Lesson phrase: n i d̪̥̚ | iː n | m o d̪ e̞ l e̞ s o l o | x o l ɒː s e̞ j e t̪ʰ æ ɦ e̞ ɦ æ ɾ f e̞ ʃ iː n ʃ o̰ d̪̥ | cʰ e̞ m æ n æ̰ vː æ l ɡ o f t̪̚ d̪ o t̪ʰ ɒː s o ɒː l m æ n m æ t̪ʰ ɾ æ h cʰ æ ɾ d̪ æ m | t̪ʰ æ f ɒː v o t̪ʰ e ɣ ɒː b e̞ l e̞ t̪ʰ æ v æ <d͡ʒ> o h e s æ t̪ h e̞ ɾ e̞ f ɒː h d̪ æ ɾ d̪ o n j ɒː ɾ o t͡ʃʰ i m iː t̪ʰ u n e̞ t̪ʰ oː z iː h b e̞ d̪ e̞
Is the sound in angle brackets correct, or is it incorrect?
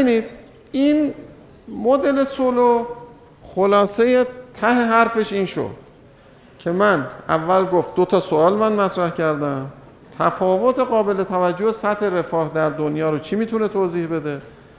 incorrect